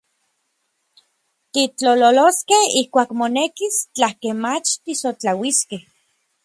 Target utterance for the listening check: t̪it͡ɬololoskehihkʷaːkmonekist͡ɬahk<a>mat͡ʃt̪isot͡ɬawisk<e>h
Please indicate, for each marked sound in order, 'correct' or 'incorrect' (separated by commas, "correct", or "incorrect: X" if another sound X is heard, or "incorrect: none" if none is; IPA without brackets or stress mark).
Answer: incorrect: e, correct